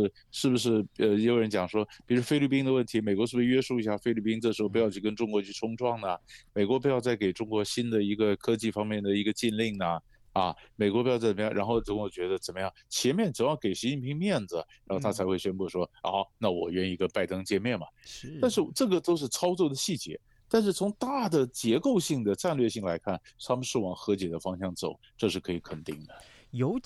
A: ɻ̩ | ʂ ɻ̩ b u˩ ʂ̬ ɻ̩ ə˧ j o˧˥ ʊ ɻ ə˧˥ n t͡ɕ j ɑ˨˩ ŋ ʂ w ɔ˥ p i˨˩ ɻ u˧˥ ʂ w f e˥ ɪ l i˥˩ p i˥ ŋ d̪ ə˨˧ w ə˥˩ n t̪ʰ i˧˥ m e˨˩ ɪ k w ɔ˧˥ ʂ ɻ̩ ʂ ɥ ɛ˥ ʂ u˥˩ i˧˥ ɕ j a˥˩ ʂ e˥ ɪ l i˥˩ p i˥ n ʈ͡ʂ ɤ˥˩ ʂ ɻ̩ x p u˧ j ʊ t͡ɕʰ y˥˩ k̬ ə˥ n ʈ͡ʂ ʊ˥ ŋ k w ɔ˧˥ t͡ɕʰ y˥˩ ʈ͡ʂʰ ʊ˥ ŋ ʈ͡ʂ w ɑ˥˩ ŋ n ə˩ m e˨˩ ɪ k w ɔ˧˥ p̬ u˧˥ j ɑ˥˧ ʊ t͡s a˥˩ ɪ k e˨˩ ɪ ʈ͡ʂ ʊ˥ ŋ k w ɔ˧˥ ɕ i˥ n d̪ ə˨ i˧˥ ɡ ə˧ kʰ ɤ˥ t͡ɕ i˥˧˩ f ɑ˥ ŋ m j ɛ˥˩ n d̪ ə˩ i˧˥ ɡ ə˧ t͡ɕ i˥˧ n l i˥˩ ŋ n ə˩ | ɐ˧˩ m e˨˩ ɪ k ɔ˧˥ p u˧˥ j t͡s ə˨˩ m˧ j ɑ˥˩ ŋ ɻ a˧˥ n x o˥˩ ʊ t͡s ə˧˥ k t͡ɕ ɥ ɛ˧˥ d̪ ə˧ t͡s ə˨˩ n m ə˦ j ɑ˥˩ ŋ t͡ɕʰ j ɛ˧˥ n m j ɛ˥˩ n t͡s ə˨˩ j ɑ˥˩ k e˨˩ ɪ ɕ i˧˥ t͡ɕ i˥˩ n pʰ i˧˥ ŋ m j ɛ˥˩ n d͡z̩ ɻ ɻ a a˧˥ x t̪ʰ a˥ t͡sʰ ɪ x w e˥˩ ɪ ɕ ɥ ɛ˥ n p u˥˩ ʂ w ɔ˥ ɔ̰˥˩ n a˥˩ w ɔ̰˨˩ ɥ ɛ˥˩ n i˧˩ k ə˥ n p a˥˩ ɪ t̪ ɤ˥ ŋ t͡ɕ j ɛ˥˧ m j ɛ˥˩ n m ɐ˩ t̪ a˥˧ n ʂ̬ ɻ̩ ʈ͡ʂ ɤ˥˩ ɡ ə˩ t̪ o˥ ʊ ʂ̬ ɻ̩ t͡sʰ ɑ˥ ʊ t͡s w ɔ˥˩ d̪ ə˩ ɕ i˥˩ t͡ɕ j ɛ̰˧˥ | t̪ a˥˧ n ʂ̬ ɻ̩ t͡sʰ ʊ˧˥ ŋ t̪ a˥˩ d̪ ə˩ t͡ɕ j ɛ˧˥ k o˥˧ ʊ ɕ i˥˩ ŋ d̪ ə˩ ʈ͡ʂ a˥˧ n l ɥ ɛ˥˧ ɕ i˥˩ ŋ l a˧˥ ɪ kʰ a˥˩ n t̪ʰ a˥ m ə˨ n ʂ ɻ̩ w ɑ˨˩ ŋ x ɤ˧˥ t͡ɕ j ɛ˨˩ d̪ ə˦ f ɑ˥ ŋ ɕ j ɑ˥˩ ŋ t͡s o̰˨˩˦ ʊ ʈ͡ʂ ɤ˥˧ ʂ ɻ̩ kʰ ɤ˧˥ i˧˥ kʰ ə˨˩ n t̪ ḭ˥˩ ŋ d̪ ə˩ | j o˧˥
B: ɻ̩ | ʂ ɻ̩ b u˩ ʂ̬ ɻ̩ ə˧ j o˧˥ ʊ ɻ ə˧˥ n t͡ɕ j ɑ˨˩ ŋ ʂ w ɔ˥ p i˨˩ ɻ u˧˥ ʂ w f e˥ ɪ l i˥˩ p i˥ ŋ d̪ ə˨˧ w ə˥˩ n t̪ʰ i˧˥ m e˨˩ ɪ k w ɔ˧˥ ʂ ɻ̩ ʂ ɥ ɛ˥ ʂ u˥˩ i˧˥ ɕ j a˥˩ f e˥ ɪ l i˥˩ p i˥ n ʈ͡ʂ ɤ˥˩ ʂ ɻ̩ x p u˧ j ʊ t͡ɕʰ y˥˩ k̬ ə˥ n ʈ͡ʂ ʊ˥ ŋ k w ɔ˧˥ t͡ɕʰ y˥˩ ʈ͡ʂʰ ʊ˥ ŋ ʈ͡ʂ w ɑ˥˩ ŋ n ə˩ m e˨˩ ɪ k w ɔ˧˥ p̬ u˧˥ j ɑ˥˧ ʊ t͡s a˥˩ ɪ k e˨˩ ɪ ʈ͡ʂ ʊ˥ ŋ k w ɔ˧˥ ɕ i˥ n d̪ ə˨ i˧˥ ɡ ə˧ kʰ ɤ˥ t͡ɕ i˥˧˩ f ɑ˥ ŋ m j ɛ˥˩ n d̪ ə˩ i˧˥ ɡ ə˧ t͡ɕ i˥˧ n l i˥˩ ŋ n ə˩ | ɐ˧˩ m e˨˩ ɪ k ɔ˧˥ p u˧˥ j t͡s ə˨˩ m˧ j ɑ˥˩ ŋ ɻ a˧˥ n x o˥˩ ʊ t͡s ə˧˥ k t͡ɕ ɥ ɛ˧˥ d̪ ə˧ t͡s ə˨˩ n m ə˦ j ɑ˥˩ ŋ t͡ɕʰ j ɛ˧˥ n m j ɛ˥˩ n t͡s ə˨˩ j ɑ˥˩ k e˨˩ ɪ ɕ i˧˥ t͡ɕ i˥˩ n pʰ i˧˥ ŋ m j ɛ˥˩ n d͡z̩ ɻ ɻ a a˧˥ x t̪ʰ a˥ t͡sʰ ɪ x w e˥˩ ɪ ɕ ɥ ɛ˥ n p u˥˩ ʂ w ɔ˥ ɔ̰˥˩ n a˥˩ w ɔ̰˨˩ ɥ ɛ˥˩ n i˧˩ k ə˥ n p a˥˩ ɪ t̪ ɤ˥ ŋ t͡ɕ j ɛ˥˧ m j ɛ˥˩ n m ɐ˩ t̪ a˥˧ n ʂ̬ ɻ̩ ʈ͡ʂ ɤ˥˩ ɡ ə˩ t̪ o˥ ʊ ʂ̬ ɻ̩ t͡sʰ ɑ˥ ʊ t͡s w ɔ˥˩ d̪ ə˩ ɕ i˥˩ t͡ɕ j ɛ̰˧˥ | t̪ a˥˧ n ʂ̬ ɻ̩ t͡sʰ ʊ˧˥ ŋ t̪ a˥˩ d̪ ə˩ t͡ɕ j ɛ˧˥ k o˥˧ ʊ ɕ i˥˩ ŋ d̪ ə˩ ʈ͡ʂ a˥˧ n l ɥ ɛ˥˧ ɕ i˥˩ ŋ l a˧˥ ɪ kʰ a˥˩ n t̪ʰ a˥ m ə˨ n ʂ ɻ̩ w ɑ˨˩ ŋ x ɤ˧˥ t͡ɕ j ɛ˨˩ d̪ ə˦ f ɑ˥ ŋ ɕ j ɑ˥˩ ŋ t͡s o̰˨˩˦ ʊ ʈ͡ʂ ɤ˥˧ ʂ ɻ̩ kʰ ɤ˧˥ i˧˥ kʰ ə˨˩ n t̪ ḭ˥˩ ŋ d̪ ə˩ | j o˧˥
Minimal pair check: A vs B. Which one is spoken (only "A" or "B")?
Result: B